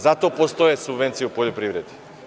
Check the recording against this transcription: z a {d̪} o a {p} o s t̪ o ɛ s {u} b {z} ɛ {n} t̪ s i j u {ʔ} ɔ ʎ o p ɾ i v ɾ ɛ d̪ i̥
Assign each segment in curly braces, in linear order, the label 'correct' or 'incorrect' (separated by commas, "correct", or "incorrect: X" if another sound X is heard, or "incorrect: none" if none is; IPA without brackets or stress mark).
incorrect: t̪, correct, correct, incorrect: v, correct, incorrect: p